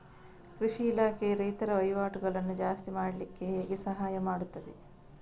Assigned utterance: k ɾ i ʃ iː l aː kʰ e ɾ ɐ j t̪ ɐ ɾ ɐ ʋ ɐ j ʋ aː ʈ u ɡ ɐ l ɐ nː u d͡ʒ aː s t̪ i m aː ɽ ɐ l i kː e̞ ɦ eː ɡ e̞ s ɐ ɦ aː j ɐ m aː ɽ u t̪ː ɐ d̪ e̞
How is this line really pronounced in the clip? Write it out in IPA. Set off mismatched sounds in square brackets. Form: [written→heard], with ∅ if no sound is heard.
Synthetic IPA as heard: k ɾ i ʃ iː l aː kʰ e ɾ ɐ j t̪ ɐ ɾ ɐ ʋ ɐ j ʋ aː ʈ u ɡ ɐ [l→ɭ] ɐ nː u d͡ʒ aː s t̪ i m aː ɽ ɐ l i kː e̞ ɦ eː ɡ e̞ s ɐ ɦ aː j ɐ m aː ɽ u t̪ː ɐ d̪ e̞